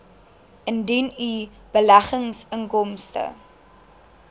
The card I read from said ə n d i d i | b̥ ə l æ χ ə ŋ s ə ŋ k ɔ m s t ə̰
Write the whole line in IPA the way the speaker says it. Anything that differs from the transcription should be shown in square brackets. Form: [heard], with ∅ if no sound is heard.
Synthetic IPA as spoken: ə n d i [n] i | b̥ ə l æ χ ə ŋ s ə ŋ k ɔ m s t ə̰